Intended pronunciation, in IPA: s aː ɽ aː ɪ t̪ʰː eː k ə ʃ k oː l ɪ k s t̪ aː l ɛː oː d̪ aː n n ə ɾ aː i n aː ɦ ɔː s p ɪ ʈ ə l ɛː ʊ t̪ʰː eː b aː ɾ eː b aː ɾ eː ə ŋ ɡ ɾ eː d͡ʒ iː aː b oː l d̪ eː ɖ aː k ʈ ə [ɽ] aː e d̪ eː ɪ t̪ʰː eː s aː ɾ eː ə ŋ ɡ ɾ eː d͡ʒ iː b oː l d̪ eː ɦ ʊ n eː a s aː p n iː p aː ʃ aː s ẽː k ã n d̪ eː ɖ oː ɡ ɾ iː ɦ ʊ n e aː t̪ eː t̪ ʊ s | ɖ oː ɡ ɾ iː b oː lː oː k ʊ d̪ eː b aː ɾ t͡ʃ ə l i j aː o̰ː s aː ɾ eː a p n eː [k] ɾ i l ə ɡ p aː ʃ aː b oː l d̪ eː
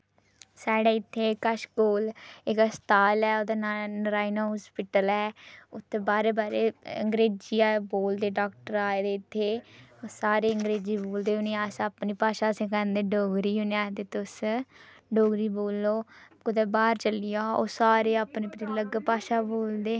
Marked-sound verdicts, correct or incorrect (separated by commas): incorrect, incorrect